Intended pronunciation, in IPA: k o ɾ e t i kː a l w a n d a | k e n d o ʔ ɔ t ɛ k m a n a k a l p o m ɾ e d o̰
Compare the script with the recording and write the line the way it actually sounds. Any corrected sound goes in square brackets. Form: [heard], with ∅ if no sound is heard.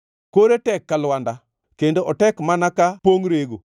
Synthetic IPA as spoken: k o ɾ e t [ɛ] kː a l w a n d a | k e n d o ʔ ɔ t ɛ k m a n a k a [∅] p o [ŋ] ɾ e [ɡ] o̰